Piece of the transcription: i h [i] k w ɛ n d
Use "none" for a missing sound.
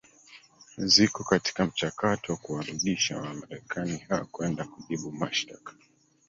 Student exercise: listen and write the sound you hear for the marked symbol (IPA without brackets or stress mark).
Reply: a